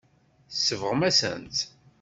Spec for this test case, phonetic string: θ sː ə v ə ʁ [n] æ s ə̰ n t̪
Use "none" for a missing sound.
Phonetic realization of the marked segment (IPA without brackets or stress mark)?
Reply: m